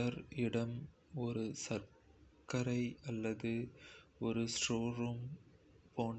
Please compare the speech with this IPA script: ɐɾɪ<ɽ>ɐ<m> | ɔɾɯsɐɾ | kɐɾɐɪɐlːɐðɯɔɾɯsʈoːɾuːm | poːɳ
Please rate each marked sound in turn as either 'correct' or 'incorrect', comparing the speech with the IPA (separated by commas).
correct, correct